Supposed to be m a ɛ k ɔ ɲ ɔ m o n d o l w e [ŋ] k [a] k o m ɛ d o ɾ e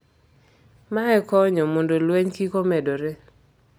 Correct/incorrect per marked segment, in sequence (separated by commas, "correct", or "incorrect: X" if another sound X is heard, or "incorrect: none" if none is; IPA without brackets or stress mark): incorrect: ɲ, incorrect: i